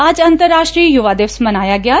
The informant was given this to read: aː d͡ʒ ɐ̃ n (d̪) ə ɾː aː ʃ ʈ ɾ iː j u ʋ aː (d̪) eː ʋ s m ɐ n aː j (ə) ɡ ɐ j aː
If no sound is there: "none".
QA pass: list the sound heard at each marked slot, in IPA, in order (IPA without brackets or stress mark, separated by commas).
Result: t̪, d̪, a